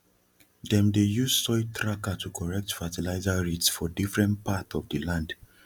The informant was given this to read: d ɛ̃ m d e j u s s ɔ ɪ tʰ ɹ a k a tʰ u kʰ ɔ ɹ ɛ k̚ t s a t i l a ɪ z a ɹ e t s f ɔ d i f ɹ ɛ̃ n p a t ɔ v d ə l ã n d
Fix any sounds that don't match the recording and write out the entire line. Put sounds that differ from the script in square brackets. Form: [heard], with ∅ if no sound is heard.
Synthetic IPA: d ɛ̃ m d e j u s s ɔ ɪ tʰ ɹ a k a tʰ u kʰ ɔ ɹ ɛ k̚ t [f] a t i l a ɪ z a ɹ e t s f ɔ d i f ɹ ɛ̃ n p a t ɔ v d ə l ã n d